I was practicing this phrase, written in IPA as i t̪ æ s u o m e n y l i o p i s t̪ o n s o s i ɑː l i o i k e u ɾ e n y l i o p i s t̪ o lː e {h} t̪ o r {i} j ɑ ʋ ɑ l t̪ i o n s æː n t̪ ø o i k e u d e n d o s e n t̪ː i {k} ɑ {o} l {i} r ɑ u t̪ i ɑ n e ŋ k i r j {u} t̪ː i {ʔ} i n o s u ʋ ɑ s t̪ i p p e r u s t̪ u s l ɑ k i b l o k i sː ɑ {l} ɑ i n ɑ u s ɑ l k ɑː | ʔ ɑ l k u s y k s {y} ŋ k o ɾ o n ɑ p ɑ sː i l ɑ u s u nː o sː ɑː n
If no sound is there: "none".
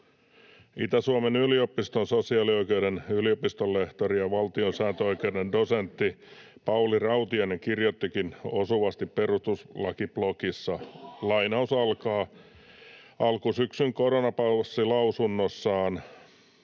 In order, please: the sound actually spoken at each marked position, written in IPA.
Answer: h, i, p, u, i, o, k, l, y

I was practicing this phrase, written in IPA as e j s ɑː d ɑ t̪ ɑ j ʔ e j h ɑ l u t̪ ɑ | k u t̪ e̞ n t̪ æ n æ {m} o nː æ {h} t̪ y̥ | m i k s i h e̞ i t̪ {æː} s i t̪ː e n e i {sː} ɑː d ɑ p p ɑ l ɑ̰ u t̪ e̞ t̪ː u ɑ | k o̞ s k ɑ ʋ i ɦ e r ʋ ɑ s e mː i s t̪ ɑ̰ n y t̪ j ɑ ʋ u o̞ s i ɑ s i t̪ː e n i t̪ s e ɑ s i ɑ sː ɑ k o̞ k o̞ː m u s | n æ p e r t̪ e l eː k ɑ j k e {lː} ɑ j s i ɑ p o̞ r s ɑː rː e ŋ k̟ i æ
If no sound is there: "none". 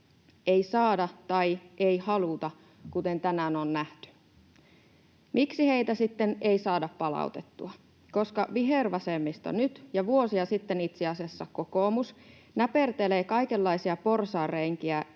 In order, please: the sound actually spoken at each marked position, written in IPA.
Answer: n, h, æ, s, lː

